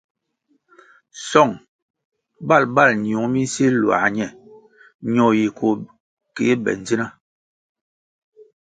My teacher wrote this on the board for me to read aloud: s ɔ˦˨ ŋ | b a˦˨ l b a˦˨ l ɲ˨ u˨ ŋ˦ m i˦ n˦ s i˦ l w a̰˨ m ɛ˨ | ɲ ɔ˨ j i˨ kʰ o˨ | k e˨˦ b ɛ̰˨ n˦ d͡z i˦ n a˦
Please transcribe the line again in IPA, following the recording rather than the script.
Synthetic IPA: s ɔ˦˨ ŋ | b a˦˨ l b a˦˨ l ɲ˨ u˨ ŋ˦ m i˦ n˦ s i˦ l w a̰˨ ɲ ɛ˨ | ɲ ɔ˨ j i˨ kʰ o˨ | k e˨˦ b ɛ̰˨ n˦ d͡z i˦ n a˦